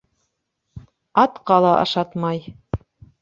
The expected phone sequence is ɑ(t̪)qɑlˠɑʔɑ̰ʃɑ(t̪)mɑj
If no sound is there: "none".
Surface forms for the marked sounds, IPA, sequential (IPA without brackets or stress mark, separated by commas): t̪, t̪